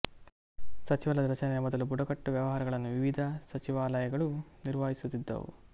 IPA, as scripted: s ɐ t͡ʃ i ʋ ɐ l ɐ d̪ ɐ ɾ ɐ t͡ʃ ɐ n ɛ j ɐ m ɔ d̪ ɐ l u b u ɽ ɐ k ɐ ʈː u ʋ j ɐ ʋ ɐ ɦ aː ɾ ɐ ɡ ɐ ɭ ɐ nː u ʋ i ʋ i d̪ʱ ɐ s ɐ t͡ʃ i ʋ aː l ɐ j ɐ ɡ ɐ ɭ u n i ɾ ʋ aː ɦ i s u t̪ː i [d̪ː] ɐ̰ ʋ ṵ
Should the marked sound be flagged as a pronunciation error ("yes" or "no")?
no